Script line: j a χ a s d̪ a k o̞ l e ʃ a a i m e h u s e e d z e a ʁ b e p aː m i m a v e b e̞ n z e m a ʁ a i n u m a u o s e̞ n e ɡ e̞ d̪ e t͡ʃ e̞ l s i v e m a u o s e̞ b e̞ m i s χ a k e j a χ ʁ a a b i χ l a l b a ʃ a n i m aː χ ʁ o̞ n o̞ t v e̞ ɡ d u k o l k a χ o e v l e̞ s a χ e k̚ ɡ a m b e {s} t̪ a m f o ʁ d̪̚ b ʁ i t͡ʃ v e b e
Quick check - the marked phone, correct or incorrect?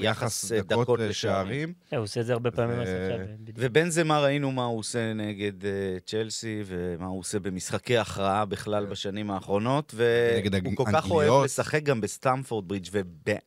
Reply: correct